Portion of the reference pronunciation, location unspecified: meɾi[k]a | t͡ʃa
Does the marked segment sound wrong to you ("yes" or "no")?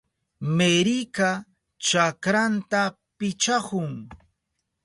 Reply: no